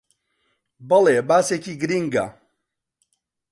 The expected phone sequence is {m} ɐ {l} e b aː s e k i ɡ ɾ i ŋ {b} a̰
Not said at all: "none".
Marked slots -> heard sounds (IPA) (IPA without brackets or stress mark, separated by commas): b, l, ɡ